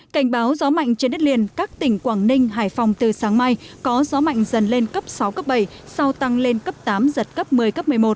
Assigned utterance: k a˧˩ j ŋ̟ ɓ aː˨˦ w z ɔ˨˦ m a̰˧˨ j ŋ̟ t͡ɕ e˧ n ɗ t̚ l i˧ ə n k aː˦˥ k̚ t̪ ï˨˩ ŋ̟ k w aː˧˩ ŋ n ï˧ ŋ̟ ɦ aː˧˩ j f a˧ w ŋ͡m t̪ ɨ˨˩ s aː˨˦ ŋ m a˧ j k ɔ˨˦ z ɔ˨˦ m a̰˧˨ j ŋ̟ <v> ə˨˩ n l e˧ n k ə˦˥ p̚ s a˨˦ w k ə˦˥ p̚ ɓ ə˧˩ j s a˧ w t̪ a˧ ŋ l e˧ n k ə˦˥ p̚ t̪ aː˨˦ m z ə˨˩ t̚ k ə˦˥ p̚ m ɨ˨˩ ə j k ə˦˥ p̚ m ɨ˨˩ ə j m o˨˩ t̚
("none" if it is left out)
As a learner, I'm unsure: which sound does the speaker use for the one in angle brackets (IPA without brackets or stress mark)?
z